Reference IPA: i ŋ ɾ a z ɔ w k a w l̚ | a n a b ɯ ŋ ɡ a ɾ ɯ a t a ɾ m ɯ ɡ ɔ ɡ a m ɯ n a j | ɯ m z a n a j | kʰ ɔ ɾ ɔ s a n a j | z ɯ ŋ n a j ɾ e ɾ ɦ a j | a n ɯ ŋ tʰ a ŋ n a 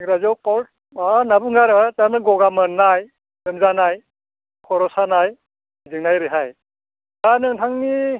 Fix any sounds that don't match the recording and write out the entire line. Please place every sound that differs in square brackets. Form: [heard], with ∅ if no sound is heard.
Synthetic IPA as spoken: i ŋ ɾ a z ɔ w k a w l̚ | a n a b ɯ ŋ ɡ a ɾ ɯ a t a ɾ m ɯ ɡ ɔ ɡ a m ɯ n a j | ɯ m z a n a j | kʰ ɔ ɾ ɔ s a n a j | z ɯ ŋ n a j ɾ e [∅] ɦ a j | a n ɯ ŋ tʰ a ŋ n [i]